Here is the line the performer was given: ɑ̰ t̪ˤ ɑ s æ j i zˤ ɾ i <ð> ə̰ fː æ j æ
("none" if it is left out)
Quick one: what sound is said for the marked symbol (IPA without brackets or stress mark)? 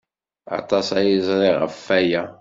ʁ